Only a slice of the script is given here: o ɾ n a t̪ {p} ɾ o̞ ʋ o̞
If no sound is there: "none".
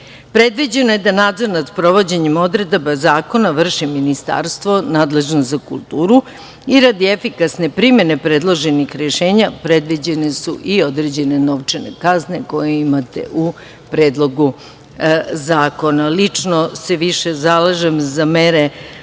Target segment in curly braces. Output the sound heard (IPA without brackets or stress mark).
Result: p